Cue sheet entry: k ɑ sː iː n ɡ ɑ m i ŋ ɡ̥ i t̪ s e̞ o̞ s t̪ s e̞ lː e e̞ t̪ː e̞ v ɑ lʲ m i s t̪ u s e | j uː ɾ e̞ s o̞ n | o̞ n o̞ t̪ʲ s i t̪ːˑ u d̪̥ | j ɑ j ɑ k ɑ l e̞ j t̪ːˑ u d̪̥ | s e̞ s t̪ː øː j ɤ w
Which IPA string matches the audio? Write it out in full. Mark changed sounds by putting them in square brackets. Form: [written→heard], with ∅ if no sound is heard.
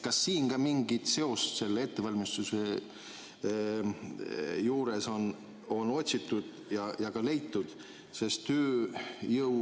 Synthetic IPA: k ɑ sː iː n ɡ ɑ m i ŋ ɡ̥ i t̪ s e̞ o̞ s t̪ s e̞ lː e e̞ t̪ː e̞ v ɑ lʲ m i s t̪ u s e | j uː ɾ e̞ s o̞ n | o̞ n o̞ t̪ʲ s i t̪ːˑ u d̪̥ | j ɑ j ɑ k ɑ l e̞ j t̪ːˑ u d̪̥ | s e̞ s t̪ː øː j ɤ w